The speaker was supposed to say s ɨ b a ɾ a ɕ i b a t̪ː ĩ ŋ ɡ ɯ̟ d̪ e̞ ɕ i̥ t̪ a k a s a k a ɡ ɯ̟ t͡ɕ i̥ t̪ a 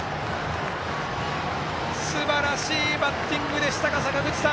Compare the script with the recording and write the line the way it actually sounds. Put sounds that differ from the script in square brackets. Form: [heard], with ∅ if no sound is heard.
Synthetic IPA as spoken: s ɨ b a ɾ a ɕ [iː] b a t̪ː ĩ ŋ ɡ ɯ̟ d̪ e̞ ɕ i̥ t̪ a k a s a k a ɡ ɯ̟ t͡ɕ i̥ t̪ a